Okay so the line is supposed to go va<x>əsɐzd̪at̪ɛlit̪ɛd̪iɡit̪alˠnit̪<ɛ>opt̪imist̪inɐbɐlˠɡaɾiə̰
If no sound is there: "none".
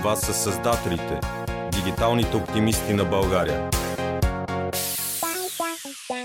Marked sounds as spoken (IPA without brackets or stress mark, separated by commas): s, ɛ